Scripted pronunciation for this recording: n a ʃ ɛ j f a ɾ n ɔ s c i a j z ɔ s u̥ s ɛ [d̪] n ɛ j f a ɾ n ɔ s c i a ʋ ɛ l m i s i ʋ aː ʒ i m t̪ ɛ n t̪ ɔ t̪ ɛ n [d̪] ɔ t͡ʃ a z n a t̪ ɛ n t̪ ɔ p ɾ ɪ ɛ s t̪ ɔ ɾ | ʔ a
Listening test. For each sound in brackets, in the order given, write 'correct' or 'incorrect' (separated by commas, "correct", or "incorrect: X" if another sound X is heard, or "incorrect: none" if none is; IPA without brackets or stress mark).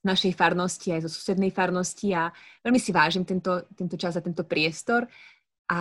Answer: correct, incorrect: t̪